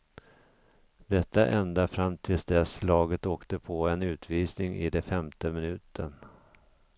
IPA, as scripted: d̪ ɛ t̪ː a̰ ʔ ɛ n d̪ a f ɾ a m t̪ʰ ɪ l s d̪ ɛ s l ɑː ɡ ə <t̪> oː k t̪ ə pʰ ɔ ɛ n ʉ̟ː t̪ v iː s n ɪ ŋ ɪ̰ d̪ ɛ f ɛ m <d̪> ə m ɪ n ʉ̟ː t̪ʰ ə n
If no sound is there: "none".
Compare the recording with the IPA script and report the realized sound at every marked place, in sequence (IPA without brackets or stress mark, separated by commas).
t̪, t̪